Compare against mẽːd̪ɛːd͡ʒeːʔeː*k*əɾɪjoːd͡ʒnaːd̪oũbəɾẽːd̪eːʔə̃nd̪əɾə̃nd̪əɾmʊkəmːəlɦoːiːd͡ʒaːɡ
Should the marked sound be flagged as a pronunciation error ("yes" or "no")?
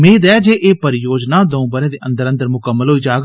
yes